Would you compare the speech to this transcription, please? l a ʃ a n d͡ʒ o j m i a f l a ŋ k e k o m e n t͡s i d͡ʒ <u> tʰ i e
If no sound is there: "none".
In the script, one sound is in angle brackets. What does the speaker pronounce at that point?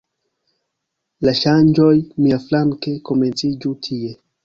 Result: u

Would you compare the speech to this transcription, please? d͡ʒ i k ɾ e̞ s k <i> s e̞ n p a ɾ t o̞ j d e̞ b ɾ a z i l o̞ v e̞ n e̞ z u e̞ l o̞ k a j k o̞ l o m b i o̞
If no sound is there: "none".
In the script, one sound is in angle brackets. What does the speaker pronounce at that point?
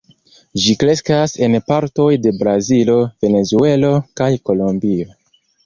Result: a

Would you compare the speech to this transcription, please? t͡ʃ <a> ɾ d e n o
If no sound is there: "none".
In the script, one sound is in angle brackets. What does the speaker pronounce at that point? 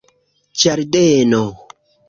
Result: a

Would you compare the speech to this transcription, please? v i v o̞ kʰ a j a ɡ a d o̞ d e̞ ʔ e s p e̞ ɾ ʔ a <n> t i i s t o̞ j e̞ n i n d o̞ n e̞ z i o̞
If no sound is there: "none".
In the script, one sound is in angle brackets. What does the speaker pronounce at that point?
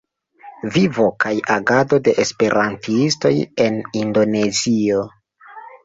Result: n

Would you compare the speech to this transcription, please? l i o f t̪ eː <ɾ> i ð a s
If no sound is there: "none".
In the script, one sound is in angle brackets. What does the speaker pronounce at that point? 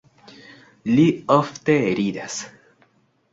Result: ɾ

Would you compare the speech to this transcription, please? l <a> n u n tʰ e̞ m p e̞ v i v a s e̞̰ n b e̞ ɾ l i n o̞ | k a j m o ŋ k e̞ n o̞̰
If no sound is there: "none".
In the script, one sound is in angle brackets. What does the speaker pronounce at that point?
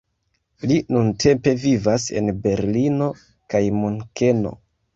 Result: i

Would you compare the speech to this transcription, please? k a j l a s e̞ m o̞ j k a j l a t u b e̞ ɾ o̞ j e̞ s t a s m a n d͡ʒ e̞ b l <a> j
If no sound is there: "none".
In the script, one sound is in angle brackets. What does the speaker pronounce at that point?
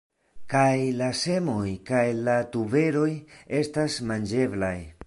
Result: a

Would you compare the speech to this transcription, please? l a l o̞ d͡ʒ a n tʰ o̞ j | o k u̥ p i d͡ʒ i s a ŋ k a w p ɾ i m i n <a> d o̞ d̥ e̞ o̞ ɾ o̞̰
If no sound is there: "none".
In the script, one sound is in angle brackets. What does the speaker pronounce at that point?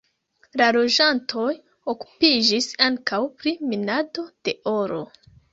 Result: a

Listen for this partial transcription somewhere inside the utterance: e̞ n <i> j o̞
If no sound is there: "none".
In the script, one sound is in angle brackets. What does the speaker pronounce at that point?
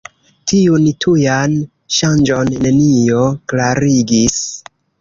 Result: i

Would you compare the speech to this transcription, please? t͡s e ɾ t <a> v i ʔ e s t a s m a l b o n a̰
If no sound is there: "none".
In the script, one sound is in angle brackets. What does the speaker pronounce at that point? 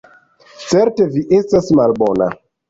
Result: e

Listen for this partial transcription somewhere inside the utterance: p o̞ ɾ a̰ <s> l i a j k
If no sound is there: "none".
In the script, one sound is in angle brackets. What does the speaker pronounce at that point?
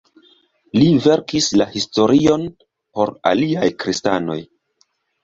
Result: none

